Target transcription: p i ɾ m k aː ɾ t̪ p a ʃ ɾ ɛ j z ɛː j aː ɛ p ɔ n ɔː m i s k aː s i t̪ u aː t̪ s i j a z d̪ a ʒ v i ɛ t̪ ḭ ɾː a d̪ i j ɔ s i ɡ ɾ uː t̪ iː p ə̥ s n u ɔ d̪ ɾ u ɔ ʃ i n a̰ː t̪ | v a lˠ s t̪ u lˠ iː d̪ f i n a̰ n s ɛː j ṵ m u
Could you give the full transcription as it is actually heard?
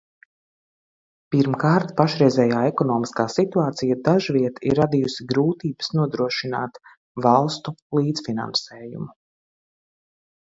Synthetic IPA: p i ɾ m k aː ɾ t̪ p a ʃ ɾ ɛ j z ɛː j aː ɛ k ɔ n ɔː m i s k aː s i t̪ u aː t̪ s i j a d̪ a ʒ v i ɛ t̪ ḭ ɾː a d̪ i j u s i ɡ ɾ uː t̪ iː b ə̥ s n u ɔ d̪ ɾ u ɔ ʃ i n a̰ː t̪ | v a lˠ s t̪ u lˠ iː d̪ f i n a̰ n s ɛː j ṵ m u